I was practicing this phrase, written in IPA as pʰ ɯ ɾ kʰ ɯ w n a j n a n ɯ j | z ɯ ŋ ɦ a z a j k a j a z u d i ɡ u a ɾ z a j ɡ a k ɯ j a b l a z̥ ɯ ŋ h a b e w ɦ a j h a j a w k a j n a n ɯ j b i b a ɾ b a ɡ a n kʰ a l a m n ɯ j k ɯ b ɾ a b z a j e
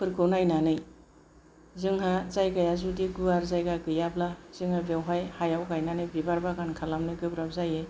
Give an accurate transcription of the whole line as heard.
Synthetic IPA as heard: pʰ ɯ ɾ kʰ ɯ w n a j n a n ɯ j | z ɯ ŋ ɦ a z a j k a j a z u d i ɡ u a ɾ z a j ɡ a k ɯ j a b l a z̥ ɯ ŋ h a b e w ɦ a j h a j a w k a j n a n ɯ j b i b a ɾ b a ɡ a n kʰ a l a m n ɯ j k ɯ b ɾ a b z a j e